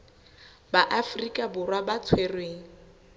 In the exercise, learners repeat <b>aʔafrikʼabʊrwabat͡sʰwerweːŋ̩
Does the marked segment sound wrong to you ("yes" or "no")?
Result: no